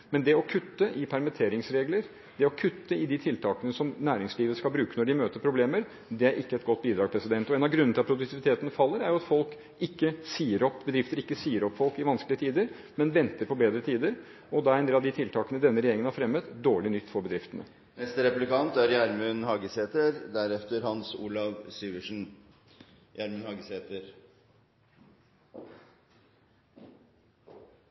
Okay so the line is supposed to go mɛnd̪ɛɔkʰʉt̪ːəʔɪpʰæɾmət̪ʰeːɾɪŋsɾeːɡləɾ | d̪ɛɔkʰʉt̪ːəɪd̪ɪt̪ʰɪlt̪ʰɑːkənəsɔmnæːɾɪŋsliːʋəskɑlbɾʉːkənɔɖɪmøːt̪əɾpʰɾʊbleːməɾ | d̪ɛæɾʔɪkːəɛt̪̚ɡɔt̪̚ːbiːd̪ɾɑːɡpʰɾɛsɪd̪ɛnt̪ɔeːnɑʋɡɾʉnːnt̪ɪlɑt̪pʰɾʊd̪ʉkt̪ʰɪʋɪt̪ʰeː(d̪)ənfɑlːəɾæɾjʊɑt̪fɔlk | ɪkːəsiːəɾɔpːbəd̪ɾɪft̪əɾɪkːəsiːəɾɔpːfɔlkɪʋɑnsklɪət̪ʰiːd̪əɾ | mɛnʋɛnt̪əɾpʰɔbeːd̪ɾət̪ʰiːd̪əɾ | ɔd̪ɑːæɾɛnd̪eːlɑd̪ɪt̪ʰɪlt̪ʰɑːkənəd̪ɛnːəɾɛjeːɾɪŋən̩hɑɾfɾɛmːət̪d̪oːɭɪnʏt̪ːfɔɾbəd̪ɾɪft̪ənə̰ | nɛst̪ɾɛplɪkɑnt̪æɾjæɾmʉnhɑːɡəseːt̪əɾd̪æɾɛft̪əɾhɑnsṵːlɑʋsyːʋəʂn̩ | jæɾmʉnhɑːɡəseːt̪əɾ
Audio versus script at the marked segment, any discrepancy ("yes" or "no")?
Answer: yes